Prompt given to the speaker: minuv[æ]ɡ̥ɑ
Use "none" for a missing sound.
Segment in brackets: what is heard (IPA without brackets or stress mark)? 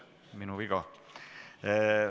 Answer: i